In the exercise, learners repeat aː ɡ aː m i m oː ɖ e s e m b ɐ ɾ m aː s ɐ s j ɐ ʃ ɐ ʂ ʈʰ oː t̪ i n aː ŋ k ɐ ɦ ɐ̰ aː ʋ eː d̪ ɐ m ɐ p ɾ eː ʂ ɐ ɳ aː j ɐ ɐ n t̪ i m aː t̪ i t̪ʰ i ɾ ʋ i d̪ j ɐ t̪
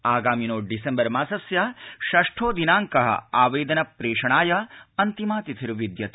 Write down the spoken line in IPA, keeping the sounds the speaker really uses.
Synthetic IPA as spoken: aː ɡ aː m i n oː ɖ i s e m b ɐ ɾ m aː s ɐ s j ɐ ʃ ɐ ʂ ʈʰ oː d̪ i n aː ŋ k ɐ ɦ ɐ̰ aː ʋ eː d̪ ɐ n ɐ p ɾ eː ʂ ɐ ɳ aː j ɐ ɐ n t̪ i m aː t̪ i t̪ʰ i ɾ ʋ i d̪ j ɐ t̪